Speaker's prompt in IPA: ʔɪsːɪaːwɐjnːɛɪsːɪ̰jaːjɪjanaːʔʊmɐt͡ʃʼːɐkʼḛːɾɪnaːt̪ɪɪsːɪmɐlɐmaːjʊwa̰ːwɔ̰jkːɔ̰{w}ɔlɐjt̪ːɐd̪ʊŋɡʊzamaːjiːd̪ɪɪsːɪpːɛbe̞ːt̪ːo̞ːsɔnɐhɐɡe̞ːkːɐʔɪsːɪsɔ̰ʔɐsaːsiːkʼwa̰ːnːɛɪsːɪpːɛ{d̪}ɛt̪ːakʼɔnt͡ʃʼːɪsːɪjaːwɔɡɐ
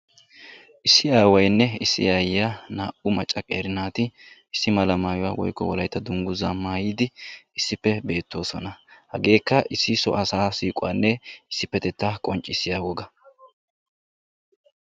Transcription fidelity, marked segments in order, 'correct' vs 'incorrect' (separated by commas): correct, incorrect